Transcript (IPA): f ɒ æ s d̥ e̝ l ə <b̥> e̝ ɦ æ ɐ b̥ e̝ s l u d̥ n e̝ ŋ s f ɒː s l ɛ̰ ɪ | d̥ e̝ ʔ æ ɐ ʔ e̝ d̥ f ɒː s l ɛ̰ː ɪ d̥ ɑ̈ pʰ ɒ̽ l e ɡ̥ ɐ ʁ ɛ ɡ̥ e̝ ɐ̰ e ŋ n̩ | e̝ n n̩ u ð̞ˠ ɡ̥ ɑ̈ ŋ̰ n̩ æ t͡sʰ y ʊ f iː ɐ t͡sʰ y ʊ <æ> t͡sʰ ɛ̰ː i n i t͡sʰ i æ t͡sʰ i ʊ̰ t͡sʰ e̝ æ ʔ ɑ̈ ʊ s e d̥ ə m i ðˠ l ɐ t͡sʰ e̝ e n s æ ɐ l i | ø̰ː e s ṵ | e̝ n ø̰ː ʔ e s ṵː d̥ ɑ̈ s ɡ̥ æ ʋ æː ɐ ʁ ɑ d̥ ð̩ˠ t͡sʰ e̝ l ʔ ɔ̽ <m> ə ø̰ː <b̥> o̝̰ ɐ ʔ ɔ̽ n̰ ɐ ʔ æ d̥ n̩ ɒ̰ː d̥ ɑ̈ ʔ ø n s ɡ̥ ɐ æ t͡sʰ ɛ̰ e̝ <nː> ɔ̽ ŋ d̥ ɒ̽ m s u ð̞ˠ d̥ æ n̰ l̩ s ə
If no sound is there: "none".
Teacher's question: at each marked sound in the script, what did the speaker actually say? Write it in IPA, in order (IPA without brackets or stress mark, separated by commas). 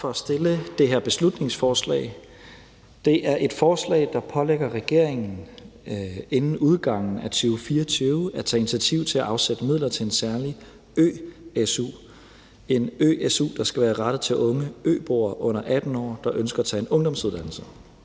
d̥, æ, ŋ, b̥, n